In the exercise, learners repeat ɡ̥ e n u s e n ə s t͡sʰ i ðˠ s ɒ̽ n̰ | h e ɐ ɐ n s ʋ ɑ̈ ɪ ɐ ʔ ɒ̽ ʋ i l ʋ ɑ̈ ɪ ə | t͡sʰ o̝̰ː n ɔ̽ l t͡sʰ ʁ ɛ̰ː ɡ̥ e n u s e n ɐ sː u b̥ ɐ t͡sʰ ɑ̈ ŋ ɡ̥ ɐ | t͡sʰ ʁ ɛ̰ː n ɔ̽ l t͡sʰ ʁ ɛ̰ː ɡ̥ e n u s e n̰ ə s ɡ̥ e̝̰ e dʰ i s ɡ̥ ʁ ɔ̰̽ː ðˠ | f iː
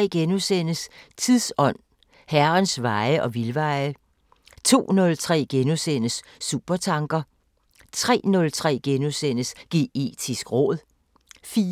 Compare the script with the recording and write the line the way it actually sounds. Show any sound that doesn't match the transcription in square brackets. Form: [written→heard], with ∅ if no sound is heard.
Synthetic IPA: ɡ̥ e n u s e n ə s t͡sʰ i ðˠ s ɒ̽ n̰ | h [e→æ] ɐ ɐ n s ʋ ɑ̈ ɪ [ɐ→ə] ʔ ɒ̽ ʋ i l ʋ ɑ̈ ɪ ə | t͡sʰ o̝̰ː n ɔ̽ l t͡sʰ ʁ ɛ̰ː ɡ̥ e n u s e n [ɐ→ə] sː u b̥ ɐ t͡sʰ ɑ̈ ŋ ɡ̥ ɐ | t͡sʰ ʁ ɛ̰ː n ɔ̽ l t͡sʰ ʁ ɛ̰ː ɡ̥ e n u s e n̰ ə s ɡ̥ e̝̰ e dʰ i s ɡ̥ ʁ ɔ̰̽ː ðˠ | f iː